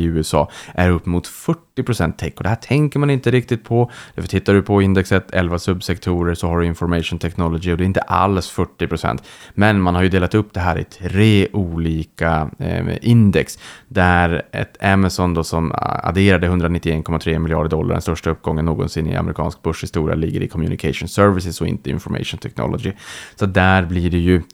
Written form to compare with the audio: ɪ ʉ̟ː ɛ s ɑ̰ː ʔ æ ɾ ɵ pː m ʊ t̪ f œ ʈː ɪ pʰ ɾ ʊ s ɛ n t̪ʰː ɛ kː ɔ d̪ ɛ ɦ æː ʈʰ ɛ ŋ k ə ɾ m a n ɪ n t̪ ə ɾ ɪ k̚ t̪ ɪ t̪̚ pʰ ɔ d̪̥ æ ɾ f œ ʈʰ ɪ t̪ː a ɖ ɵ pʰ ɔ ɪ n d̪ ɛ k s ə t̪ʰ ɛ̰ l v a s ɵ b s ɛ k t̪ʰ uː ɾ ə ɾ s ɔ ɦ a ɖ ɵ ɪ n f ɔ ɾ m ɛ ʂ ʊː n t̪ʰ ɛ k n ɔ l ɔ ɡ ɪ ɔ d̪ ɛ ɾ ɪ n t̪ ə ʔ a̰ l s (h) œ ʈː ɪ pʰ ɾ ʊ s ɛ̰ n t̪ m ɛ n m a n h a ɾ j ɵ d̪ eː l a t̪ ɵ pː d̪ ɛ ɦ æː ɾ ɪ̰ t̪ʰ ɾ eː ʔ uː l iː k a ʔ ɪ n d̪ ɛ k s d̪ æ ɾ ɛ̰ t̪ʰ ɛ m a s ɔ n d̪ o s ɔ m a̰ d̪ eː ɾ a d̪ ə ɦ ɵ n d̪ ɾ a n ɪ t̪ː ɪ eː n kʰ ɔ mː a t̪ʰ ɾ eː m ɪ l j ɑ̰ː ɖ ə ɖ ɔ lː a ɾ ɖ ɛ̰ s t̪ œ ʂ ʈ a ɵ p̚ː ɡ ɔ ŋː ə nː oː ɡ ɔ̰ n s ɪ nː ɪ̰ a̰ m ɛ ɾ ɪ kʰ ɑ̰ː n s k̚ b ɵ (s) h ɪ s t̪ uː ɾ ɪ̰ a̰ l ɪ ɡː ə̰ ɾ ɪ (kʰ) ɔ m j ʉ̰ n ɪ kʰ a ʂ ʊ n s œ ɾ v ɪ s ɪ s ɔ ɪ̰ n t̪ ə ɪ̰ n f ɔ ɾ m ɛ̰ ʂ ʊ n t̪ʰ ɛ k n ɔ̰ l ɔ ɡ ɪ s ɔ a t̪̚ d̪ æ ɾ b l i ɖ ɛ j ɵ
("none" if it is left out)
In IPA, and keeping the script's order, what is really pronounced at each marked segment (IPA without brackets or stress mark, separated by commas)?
f, ʂ, kʰ